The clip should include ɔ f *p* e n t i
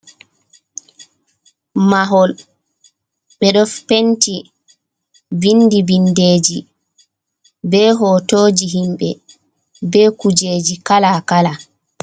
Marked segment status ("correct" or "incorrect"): correct